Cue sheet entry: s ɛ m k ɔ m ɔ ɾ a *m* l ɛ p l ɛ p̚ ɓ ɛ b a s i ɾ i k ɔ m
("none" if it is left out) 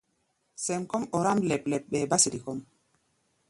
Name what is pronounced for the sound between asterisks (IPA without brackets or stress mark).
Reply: m